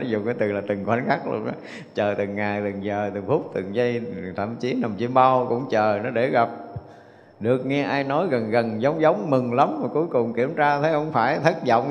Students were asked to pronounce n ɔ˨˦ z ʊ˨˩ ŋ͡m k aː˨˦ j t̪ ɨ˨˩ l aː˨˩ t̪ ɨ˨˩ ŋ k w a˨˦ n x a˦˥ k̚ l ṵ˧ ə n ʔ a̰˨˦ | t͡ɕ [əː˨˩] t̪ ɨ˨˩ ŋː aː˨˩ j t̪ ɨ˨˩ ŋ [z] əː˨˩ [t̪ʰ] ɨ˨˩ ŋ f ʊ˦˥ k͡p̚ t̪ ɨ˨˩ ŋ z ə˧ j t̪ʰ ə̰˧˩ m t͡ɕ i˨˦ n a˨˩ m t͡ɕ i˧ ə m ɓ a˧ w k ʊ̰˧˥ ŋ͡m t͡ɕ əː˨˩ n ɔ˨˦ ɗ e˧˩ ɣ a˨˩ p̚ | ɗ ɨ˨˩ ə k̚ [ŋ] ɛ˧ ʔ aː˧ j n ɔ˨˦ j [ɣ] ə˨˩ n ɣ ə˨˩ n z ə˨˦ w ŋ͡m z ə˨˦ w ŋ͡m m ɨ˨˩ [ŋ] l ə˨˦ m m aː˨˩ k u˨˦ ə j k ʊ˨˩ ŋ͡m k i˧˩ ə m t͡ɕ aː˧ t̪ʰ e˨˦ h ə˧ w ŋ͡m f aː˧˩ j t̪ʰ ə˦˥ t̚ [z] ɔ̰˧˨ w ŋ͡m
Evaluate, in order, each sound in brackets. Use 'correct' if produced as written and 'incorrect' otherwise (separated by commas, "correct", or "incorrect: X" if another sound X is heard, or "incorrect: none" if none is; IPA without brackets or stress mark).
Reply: correct, correct, incorrect: t̪, correct, correct, correct, correct